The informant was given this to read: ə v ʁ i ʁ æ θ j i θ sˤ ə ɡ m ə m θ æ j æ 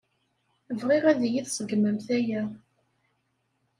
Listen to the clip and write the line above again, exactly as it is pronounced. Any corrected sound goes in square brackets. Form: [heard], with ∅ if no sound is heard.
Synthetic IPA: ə v ʁ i ʁ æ [ð] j i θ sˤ ə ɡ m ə m θ æ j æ

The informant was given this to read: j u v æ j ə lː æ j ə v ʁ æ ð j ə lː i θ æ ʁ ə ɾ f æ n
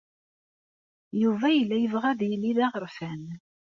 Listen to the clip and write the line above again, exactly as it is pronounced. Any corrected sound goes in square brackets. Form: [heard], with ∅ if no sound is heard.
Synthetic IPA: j u v æ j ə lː æ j ə v ʁ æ ð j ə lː i [ð] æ ʁ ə ɾ f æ n

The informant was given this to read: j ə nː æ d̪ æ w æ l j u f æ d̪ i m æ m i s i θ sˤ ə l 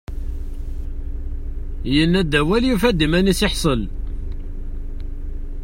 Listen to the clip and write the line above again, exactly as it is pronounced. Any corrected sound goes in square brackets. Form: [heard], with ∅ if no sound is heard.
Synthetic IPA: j ə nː æ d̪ æ w æ l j u f æ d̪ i m æ [n] i s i [ħ] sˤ ə l

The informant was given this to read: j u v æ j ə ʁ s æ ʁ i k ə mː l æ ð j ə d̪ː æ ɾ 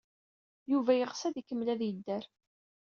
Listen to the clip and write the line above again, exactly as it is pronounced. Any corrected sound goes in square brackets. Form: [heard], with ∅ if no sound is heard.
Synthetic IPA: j u v æ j ə ʁ s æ [ð] i k ə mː l æ ð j ə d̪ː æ ɾ

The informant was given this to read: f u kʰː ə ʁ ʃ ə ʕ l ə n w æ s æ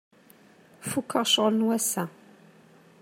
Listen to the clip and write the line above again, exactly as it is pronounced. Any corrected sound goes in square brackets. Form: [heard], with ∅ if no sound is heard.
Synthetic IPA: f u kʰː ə ʁ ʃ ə [ʁ] l ə n w æ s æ

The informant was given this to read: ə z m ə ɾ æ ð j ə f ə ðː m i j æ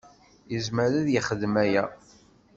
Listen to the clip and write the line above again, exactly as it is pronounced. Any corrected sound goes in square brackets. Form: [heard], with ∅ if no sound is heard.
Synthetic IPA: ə z m ə ɾ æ ð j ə [χ] ə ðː m [æ] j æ

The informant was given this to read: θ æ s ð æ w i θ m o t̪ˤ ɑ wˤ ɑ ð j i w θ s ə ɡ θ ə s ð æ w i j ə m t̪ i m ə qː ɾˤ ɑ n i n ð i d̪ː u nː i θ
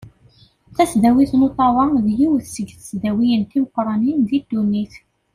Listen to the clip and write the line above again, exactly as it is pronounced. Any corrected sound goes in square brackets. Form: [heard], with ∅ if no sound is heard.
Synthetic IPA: θ æ s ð æ w i θ [n] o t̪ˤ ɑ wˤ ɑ ð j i w θ s ə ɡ θ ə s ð æ w i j ə [n] t̪ i m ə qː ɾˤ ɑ n i n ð i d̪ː u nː i θ

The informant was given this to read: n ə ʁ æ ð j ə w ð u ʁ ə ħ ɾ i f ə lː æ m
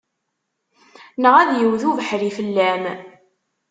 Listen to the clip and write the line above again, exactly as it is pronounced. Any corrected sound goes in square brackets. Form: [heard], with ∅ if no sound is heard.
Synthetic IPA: n ə ʁ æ ð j ə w ð u [v] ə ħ ɾ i f ə lː æ m

